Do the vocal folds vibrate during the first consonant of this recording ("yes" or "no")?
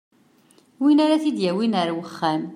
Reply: yes